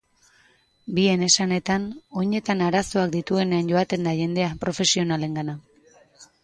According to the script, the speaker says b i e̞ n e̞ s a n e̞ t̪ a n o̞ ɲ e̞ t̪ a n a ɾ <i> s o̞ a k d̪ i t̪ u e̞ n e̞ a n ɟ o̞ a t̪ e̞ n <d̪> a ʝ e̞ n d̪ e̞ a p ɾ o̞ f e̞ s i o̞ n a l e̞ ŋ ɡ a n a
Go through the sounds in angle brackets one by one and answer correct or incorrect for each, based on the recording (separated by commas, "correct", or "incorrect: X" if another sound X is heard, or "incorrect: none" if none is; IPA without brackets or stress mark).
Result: incorrect: a, correct